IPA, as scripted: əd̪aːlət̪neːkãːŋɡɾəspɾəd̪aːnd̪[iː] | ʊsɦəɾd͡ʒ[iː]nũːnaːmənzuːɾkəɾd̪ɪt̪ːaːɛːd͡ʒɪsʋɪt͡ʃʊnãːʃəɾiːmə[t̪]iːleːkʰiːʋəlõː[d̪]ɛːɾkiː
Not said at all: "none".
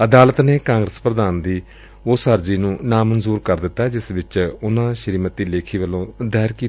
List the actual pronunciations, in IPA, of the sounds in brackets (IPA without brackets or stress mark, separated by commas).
iː, iː, t̪, d̪